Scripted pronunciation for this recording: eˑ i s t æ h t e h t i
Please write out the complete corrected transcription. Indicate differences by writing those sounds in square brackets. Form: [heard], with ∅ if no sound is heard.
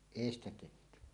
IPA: eˑ i s t æ [∅] t e h t [y]

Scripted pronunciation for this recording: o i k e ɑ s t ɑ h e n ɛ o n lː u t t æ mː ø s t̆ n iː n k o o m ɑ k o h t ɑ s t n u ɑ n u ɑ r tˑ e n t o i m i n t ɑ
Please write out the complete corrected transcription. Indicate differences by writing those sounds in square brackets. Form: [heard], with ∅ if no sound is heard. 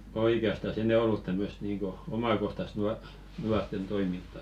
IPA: o i k e ɑ s t ɑ [s] e n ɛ o [∅] lː u t t æ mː ø s t̆ n iː [ŋ] k o o m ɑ k o h t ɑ s t n u ɑ n u ɑ r tˑ e n t o i m i n t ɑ

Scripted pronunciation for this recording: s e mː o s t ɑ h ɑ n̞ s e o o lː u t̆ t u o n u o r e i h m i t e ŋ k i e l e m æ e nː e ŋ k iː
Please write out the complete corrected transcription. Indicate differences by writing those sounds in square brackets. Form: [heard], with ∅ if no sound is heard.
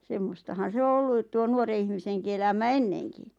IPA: s e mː o s t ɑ h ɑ n̞ s e o o lː u t̆ t u o n u o r e i h m i [s] e ŋ k i e l [æ] m æ e nː e ŋ k [i]

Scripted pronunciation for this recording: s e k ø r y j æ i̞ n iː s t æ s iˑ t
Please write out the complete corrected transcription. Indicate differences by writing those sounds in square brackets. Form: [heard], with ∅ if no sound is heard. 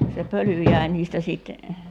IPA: s e [p] ø [l] y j æ i̞ n iː s t æ s iˑ t

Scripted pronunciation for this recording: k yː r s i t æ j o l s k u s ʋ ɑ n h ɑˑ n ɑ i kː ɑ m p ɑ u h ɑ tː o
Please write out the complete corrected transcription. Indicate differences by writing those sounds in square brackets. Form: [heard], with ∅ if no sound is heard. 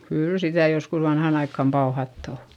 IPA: k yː [l] s i t æ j o [∅] s k u s ʋ ɑ n h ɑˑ n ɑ i kː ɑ m p ɑ u h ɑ tː o

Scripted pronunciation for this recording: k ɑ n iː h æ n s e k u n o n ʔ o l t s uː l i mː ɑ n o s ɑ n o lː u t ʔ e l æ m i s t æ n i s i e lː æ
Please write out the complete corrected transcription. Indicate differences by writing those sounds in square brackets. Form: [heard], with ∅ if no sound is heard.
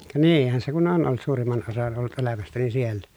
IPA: k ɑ n iː h æ n s e k u n o n ʔ o l t s uː [r] i mː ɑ n o s ɑ n o lː u t ʔ e l æ m [æ] s t æ n i s i e lː æ

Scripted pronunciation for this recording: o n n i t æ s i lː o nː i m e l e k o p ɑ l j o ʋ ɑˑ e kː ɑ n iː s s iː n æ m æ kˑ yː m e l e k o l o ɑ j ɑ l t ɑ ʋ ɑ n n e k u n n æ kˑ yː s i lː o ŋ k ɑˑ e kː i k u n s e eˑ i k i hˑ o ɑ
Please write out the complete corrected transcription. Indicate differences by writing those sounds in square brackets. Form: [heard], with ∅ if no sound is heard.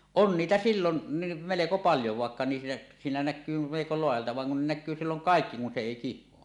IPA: o n n [iː] t æ s i lː o nː i m e l e k o p ɑ l j o ʋ ɑˑ e kː ɑ n iː s s iː n æ [n] æ kˑ yː m e l e k o l o ɑ j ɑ l t ɑ ʋ ɑ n n e k u n n æ kˑ yː s i lː o ŋ k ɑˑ e kː i k u n s e eˑ i k i hˑ o ɑ

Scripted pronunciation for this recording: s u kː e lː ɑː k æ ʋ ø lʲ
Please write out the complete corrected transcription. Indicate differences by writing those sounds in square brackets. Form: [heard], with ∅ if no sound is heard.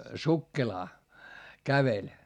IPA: s u kː e [l] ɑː k æ ʋ [e] lʲ

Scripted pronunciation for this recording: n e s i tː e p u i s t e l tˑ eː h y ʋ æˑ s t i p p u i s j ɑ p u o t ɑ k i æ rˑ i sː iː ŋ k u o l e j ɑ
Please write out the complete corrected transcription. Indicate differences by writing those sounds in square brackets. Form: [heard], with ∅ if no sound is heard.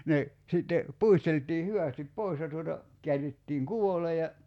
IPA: n e s i tː e p u i s t e l tˑ [iː] h y ʋ æˑ s t i p p [o] i s j ɑ [t] u o t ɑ k i æ rˑ i [tː] iː ŋ k u o l e j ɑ

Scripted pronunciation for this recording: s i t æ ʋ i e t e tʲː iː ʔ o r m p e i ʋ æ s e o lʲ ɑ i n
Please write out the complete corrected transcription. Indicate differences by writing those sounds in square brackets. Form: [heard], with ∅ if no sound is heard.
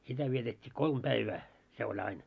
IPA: s i t æ ʋ i e t e tʲː iː [k] o [l] m p [æ] i ʋ [æː] s e o lʲ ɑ i n

